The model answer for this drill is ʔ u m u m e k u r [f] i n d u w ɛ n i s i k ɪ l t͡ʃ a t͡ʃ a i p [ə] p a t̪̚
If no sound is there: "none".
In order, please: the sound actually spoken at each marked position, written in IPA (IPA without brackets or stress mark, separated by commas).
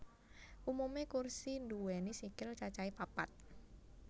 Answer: s, a